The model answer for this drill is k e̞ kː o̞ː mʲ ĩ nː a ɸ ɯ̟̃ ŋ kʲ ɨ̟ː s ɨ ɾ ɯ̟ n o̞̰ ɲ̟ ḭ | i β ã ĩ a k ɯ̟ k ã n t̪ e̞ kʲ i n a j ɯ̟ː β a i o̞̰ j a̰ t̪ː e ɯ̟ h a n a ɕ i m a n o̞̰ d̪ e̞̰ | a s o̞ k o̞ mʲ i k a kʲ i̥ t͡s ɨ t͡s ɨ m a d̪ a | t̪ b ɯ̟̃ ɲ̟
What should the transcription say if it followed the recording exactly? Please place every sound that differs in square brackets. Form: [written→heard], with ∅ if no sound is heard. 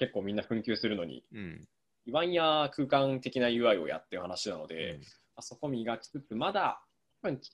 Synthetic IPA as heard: k e̞ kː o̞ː mʲ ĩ nː a ɸ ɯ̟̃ ŋ kʲ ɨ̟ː s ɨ ɾ ɯ̟ n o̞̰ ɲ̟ ḭ | i β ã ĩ a k [ɯ̟→ɯ̟ː] k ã n t̪ e̞ kʲ i n a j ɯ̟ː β a i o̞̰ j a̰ t̪ː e ɯ̟ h a n a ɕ i [m→n] a n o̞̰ d̪ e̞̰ | a s o̞ k o̞ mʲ i [k→ɡ] a kʲ i̥ t͡s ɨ t͡s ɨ m a d̪ a | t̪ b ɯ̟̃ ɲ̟